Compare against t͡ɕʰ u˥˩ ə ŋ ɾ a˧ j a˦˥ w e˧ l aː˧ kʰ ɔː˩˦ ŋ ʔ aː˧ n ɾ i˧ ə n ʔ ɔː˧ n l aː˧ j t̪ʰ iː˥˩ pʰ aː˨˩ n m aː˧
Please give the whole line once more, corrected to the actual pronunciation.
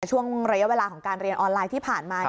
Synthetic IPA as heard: t͡ɕʰ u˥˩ ə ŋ ɾ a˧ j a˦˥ w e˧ l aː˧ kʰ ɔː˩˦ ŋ k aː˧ n ɾ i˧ ə n ʔ ɔː˧ n l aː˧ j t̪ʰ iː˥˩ pʰ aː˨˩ n m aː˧